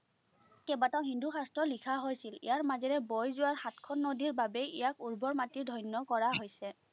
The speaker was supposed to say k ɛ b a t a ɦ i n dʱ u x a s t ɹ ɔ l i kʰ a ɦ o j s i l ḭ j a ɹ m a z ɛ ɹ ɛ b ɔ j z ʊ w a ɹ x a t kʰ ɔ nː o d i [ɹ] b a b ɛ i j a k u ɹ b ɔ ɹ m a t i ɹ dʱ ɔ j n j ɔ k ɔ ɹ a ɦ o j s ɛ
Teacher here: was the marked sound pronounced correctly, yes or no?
yes